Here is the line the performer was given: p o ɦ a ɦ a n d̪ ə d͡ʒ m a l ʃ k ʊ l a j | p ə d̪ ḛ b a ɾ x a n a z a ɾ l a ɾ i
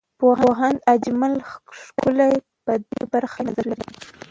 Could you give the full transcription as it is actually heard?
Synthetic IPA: p o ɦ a ɦ a n d̪ a d͡ʒ m a l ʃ k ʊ l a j | p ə d̪ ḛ b a ɾ x a n a z a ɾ l a ɾ i